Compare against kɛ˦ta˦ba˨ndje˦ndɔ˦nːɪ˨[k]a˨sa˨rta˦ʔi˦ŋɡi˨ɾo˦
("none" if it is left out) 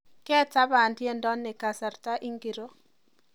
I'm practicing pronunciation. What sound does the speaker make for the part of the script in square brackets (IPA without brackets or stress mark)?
k